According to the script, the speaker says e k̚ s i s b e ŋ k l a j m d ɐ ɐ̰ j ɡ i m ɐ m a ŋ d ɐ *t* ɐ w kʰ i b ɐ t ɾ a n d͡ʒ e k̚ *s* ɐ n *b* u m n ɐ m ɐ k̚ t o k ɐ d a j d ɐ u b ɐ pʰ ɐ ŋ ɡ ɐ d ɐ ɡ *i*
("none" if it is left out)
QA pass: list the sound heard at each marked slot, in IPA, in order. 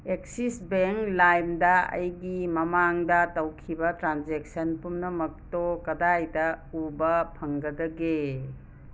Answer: t, s, p, e

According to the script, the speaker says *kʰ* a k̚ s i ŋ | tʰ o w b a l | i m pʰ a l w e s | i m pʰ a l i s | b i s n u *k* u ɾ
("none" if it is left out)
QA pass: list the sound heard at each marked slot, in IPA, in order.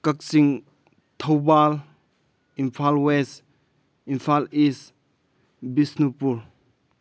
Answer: k, p

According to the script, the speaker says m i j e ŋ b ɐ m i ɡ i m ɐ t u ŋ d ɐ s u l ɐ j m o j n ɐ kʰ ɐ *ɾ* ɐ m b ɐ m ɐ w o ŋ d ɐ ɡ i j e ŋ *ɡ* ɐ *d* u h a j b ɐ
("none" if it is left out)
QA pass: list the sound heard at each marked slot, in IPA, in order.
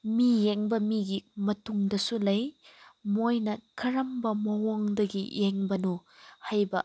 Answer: ɾ, b, n

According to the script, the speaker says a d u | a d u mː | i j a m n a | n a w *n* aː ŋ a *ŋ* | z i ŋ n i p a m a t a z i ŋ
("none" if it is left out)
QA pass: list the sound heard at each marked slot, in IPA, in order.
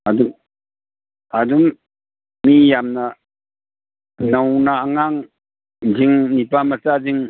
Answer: n, ŋ

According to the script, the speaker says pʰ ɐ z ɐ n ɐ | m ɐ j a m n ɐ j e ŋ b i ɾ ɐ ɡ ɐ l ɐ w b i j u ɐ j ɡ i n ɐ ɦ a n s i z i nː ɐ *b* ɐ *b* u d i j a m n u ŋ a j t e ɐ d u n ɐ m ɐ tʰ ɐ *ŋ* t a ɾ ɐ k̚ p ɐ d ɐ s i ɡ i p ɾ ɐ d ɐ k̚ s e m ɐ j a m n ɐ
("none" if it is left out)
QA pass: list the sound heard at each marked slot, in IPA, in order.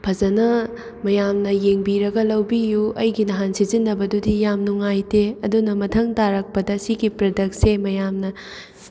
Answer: b, d, ŋ

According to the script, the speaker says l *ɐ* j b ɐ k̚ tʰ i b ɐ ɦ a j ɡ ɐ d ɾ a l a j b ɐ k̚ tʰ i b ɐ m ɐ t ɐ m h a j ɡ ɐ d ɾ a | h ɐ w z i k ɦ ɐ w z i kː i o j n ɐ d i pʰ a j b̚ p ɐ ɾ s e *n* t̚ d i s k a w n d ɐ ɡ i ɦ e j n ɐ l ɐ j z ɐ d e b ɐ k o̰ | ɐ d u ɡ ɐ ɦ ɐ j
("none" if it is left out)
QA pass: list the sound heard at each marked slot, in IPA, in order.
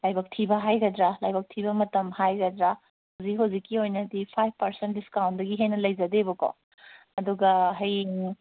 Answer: a, n

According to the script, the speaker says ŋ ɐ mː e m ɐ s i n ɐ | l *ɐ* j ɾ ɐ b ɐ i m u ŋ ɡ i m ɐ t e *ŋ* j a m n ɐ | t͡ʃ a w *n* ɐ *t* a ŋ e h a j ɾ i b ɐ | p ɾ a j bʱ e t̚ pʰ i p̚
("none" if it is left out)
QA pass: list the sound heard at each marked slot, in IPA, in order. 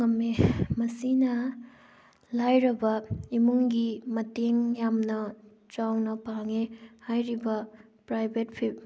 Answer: a, ŋ, n, p

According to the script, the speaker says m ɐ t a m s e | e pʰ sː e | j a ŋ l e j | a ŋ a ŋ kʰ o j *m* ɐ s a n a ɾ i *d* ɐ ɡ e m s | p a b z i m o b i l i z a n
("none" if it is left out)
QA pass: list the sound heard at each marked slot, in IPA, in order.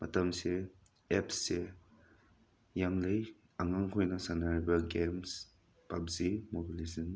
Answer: n, b

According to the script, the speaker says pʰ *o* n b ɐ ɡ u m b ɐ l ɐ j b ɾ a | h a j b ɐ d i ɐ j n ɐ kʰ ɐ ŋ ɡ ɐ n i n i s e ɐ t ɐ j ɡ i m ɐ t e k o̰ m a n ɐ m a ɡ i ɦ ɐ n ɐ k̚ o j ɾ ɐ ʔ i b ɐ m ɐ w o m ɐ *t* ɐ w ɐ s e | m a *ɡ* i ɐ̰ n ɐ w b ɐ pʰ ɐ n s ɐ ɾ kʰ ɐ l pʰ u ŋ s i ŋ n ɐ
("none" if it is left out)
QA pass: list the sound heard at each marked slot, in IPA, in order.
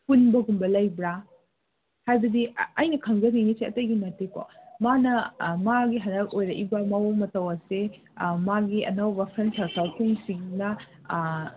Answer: u, t, ɡ

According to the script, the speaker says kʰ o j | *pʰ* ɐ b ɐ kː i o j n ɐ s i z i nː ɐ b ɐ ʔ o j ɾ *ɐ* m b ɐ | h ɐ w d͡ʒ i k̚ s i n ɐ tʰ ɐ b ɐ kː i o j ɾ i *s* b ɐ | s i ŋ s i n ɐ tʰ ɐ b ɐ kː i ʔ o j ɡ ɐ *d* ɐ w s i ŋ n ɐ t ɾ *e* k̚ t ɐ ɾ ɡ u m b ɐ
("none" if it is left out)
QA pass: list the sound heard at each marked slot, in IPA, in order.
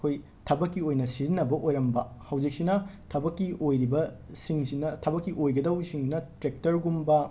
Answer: tʰ, ɐ, none, d, e

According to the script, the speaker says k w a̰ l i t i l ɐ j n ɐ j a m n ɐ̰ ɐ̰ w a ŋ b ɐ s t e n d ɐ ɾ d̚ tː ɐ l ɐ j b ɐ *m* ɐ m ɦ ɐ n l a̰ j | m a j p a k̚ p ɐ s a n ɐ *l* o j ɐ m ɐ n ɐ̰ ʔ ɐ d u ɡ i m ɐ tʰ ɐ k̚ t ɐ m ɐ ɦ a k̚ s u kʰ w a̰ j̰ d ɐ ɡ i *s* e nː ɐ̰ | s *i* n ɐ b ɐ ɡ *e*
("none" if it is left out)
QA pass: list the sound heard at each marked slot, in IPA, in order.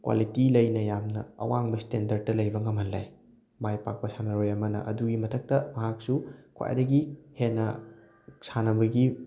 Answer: ŋ, ɾ, h, a, i

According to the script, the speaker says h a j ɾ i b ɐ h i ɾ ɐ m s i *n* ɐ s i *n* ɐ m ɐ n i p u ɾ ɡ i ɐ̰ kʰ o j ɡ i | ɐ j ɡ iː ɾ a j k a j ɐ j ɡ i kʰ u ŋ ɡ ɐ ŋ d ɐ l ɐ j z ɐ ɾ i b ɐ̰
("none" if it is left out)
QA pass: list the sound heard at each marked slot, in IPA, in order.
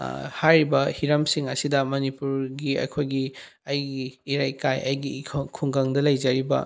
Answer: ŋ, d

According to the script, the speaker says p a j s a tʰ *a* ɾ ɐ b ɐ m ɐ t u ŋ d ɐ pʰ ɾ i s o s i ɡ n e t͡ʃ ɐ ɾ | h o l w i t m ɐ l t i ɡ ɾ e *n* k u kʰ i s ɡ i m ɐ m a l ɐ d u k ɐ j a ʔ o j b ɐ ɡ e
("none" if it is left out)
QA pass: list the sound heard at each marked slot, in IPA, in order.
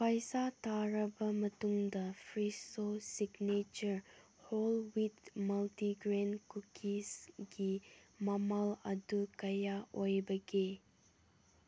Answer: a, n

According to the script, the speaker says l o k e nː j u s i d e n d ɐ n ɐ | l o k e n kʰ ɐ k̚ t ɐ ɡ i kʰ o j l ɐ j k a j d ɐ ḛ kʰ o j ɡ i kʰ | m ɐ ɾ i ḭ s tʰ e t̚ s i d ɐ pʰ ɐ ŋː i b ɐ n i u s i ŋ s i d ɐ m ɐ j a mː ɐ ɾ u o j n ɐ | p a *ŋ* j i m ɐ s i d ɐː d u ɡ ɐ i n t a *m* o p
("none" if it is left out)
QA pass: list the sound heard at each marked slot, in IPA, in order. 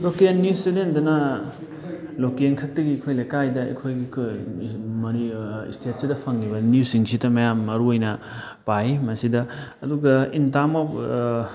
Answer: none, m

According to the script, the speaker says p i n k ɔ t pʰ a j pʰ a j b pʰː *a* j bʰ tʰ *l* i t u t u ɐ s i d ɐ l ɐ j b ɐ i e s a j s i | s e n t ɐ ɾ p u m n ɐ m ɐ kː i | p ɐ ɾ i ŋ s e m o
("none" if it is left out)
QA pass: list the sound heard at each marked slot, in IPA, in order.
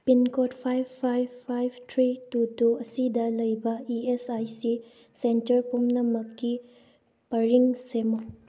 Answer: a, ɾ

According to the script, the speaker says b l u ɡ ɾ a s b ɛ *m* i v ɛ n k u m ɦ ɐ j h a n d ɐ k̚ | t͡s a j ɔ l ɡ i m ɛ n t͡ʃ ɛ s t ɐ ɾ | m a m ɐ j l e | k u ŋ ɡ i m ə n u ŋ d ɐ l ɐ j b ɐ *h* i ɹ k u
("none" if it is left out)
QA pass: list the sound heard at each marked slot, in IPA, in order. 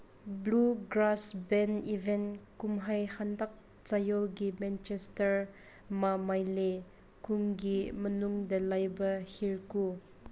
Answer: n, h

